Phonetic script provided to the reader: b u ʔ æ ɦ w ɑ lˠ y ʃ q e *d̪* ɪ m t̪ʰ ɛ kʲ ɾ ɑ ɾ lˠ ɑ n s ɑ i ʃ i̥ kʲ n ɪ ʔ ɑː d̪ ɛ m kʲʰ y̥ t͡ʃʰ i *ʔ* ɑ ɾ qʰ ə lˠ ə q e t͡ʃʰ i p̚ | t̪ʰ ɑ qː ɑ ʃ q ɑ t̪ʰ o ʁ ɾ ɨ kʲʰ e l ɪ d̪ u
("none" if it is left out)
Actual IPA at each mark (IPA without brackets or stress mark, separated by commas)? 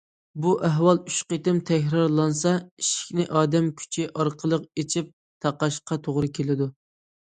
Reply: t̪, ʔ